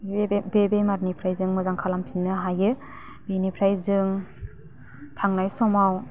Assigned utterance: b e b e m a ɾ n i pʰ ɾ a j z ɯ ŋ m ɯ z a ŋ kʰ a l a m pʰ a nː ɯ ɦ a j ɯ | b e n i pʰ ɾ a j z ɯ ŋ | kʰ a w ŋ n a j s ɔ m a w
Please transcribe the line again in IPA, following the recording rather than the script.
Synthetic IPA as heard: b e b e m a ɾ n i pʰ ɾ a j z ɯ ŋ m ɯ z a ŋ kʰ a l a m pʰ i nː ɯ ɦ a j ɯ | b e n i pʰ ɾ a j z ɯ ŋ | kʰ a ŋ n a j s ɔ m a w